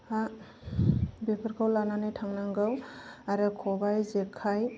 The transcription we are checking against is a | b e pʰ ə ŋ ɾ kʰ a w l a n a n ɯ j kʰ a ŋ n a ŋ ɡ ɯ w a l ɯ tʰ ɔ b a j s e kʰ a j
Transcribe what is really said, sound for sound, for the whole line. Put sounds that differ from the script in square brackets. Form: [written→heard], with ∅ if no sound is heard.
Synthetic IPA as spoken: a | b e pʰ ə [ŋ→∅] ɾ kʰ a w l a n a n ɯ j [kʰ→tʰ] a ŋ n a ŋ ɡ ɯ w a [l→ɾ] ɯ [tʰ→kʰ] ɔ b a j [s→z] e kʰ a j